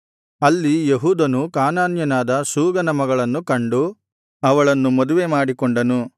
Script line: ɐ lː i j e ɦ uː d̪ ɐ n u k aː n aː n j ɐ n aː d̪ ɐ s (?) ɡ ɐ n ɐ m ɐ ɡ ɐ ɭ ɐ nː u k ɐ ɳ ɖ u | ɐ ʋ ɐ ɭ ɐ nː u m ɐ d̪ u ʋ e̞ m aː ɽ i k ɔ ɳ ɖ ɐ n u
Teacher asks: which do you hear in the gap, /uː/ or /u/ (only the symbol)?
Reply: uː